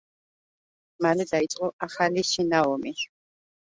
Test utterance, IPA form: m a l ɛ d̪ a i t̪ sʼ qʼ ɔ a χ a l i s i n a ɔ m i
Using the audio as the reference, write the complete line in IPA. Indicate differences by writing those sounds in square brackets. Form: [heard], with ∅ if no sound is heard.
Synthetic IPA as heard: m a l ɛ d̪ a i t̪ sʼ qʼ ɔ a χ a l i [ʃ] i n a ɔ m i

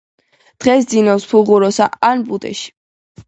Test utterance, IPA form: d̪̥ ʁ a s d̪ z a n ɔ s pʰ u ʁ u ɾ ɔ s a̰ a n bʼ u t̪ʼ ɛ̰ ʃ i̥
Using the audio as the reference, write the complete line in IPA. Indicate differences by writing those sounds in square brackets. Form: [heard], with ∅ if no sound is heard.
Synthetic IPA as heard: d̪̥ ʁ [ɛ] s d̪ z [i] n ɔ s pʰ u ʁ u ɾ ɔ s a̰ a n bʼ u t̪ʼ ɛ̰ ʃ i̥

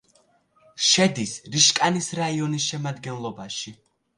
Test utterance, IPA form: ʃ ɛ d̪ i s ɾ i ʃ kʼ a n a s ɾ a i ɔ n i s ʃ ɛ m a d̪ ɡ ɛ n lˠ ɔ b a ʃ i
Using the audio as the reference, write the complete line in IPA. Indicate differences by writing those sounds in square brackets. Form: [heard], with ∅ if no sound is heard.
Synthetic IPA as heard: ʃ ɛ d̪ i s ɾ i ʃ kʼ a n [i] s ɾ a i ɔ n i s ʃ ɛ m a d̪ ɡ ɛ n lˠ ɔ b a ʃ i

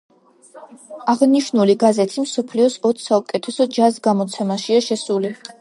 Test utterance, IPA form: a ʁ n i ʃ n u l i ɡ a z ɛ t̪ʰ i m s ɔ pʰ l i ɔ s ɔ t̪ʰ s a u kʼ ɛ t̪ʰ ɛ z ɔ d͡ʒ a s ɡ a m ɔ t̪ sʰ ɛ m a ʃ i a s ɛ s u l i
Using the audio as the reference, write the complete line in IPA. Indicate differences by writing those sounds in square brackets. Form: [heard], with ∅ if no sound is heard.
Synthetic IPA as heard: a ʁ n i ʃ n u l i ɡ a z ɛ t̪ʰ i m s ɔ pʰ l i ɔ s ɔ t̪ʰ s a u kʼ ɛ t̪ʰ ɛ [s] ɔ d͡ʒ a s ɡ a m ɔ t̪ sʰ ɛ m a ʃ i a [ʃ] ɛ s u l i

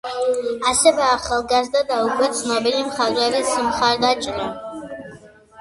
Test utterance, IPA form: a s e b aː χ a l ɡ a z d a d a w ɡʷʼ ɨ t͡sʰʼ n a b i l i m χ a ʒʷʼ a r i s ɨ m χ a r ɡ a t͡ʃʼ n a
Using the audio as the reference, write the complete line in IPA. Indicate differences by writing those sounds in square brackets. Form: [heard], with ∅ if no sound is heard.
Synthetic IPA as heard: a s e b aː χ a l ɡ a z d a d a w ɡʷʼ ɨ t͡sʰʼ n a b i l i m χ a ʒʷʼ a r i s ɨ m χ a r [d] a t͡ʃʼ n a

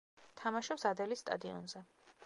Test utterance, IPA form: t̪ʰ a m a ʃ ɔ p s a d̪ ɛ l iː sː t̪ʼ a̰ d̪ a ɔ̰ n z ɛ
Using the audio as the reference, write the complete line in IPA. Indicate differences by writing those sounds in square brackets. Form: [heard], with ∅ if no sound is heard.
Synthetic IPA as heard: t̪ʰ a m a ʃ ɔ p s a d̪ ɛ l [i] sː t̪ʼ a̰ d̪ [i] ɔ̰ n z ɛ

